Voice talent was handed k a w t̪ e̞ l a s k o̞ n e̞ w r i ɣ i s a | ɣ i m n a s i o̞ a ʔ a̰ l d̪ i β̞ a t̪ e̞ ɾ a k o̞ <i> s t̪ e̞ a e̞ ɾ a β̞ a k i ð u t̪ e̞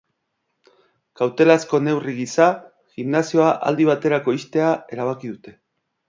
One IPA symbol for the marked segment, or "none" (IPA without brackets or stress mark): i